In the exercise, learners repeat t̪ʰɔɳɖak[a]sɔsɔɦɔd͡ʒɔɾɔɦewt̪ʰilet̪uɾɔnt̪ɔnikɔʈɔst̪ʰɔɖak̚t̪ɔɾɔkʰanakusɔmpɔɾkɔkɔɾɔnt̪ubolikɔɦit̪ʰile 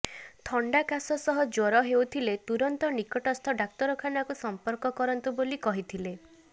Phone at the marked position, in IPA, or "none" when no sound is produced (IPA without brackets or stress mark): a